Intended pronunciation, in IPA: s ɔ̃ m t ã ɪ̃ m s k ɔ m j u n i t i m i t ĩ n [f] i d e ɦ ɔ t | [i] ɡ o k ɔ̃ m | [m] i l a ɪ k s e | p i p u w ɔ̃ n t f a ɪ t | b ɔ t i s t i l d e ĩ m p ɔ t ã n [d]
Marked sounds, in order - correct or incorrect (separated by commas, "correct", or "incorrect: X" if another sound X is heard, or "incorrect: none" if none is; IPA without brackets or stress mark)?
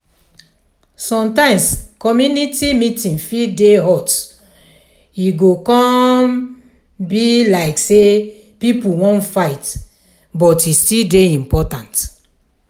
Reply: correct, correct, incorrect: b, incorrect: t